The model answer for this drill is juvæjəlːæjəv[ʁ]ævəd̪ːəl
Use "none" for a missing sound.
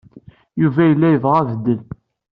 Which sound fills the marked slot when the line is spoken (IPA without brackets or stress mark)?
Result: ʁ